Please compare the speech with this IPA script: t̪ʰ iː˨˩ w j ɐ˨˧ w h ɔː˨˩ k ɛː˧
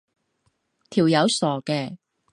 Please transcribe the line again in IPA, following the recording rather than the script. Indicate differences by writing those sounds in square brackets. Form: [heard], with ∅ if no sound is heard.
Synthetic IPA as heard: t̪ʰ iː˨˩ w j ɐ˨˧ w [s] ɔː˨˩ k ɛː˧